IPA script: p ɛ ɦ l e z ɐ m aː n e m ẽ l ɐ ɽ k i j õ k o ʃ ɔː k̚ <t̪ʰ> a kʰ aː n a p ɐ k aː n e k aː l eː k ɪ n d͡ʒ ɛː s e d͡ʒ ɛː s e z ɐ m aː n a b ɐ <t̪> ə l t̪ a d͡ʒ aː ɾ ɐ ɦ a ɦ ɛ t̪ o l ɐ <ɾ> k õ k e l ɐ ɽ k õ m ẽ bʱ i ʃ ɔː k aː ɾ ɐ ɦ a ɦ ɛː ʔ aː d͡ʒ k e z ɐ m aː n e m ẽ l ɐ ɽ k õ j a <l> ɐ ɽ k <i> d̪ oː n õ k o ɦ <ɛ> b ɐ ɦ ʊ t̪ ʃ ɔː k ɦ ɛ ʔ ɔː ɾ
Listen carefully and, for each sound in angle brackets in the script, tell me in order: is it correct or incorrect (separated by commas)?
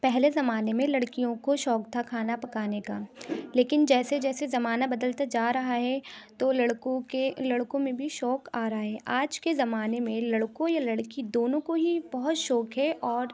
correct, incorrect, incorrect, correct, correct, incorrect